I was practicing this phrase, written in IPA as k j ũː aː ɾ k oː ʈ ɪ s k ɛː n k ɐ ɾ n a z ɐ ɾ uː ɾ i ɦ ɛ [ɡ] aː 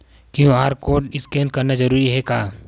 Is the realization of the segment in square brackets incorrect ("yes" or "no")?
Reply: yes